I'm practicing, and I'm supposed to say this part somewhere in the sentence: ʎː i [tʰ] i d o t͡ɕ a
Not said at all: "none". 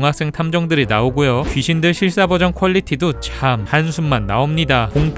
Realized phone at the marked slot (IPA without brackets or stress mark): tʰ